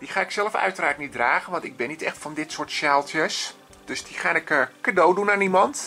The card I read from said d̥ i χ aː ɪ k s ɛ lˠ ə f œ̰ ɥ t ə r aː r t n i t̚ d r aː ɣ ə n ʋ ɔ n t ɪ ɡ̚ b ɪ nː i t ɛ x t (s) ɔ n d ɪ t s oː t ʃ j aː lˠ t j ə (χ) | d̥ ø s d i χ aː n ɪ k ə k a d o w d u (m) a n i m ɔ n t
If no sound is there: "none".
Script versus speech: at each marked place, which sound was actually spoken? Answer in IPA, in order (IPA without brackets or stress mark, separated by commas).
f, s, n